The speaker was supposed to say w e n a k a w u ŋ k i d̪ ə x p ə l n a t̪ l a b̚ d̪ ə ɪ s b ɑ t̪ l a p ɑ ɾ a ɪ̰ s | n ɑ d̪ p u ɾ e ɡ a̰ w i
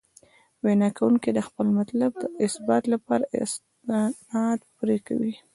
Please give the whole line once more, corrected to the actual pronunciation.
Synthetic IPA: w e n ɑ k a w u ŋ k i d̪ ə x p ə l m a t̪ l a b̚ d̪ ə ɪ s b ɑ t̪ l a p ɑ ɾ a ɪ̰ s | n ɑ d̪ p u ɾ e k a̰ w i